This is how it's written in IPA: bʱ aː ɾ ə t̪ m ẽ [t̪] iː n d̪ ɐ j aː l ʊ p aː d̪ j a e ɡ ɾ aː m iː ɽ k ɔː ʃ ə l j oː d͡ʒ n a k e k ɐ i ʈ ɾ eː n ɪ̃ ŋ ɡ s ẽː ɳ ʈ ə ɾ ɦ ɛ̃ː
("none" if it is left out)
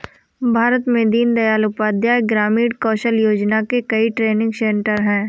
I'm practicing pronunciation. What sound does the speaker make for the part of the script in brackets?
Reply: d̪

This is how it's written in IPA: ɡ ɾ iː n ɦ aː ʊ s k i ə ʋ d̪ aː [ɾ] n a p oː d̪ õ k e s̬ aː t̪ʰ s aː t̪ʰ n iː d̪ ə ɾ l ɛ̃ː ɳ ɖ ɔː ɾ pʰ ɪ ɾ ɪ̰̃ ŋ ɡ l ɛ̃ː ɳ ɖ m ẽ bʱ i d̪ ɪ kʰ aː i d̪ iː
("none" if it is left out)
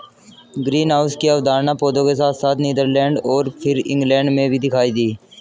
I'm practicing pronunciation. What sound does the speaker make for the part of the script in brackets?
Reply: ɾ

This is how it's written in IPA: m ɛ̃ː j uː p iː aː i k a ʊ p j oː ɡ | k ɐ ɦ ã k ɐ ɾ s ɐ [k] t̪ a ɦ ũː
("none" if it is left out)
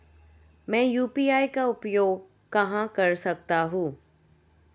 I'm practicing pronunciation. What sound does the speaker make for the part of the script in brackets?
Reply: k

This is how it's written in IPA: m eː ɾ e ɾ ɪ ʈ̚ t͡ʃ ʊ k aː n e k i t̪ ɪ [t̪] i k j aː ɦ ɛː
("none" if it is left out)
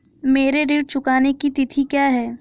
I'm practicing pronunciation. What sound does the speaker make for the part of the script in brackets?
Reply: t̪ʰ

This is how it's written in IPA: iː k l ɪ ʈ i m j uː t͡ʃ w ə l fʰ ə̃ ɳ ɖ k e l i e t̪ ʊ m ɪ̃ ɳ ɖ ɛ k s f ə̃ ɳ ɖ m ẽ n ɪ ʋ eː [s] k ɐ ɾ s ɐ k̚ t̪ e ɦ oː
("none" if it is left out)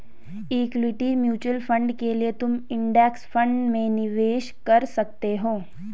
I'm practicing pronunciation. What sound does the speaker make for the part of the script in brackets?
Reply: ʃ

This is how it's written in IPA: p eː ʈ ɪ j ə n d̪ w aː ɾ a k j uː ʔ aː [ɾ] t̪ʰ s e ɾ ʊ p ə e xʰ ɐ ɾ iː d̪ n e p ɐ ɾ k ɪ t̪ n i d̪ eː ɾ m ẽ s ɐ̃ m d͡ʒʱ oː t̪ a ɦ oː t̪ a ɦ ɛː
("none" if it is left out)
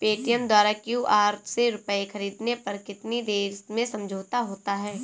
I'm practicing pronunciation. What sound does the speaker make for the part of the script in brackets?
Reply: ɾ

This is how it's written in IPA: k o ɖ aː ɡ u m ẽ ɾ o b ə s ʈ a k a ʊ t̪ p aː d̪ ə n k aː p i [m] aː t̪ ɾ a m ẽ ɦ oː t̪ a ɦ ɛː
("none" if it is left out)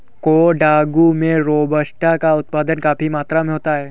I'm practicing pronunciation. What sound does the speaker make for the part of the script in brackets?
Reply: m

